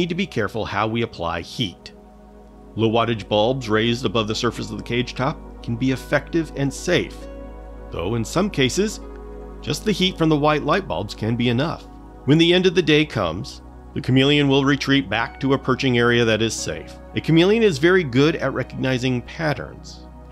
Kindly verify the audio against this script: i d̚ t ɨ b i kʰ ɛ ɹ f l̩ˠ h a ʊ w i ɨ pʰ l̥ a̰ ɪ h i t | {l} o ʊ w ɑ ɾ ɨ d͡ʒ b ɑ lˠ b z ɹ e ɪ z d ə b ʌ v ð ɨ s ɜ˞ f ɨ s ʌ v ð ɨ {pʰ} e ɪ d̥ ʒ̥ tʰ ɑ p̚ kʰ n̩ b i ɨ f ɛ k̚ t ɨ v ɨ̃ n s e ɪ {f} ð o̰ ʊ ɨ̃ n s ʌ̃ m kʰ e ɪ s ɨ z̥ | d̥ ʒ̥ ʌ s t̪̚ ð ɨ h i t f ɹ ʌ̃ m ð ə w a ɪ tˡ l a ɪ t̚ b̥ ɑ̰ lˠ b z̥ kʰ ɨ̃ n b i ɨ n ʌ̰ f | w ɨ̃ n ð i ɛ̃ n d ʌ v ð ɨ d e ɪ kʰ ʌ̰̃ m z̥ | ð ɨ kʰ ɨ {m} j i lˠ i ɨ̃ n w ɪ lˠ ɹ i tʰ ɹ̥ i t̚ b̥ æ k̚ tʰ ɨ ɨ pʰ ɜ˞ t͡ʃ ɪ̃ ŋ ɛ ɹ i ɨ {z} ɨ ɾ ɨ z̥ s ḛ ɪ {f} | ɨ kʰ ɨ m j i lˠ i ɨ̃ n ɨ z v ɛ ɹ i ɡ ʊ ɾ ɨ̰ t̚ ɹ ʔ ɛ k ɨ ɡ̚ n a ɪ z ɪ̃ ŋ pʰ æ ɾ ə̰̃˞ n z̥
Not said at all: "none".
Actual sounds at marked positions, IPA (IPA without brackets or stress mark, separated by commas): l, kʰ, f, m, ð, f